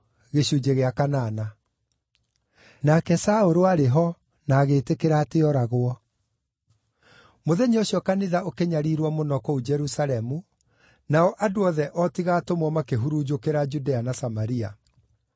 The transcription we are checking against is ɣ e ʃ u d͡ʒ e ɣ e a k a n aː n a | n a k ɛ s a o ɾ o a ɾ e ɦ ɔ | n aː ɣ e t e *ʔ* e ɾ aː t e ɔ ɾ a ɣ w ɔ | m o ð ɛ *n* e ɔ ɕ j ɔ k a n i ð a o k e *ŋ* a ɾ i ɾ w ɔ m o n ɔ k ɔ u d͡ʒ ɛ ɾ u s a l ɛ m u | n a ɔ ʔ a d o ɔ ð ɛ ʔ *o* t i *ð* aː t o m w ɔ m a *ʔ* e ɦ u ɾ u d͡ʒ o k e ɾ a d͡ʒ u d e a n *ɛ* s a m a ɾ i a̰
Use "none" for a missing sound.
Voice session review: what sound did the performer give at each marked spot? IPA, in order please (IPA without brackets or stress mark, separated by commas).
k, ɲ, ɲ, ɔ, ɣ, k, a